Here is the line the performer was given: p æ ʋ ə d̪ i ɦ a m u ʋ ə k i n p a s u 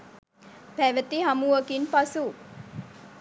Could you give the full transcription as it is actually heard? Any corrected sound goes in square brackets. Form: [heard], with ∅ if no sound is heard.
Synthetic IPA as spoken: p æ ʋ ə [t̪] i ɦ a m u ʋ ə k i n p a s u